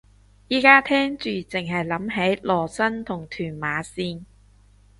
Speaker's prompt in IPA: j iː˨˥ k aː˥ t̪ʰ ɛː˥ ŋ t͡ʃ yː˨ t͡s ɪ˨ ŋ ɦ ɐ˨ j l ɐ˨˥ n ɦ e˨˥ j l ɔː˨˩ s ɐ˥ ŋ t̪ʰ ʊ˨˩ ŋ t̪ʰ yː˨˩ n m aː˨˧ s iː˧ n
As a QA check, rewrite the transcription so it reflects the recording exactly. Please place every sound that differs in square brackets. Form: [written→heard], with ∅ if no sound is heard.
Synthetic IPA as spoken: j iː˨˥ k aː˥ t̪ʰ ɛː˥ ŋ t͡ʃ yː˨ t͡s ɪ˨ ŋ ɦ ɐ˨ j l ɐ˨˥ [n→m] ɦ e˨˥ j l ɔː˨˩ s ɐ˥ [ŋ→n] t̪ʰ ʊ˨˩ ŋ t̪ʰ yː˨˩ n m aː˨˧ s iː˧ n